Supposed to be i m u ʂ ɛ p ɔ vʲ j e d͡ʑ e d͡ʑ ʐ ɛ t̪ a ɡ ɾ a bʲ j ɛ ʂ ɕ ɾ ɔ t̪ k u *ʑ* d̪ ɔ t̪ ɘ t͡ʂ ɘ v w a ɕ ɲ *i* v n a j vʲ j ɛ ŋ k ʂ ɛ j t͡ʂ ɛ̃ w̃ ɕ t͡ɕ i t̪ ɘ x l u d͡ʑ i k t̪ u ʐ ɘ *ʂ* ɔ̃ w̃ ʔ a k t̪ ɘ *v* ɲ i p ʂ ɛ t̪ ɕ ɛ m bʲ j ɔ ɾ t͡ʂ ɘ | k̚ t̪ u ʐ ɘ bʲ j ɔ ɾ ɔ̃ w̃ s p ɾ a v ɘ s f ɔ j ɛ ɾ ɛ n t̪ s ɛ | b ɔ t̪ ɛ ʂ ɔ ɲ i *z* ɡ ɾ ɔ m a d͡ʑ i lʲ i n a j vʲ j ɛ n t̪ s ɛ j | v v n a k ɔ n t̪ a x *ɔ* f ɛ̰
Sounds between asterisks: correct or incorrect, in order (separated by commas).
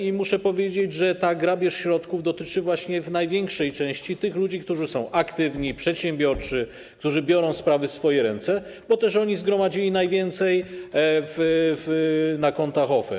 incorrect, incorrect, incorrect, correct, correct, correct